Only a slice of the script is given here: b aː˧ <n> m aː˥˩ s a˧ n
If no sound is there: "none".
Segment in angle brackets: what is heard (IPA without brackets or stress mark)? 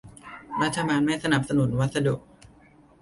n